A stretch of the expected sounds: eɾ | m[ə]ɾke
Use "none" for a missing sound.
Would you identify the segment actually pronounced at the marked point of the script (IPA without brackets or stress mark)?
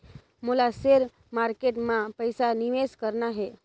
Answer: a